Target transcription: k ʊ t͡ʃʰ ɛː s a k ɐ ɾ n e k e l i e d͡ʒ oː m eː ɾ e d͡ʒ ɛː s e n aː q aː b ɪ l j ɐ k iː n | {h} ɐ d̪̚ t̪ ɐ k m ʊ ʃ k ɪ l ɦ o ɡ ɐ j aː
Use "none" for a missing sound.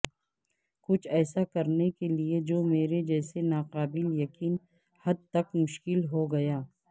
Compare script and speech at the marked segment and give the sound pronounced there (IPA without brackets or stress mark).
h